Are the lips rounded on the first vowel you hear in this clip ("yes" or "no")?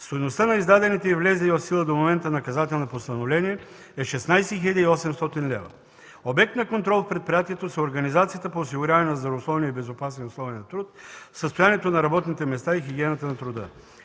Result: yes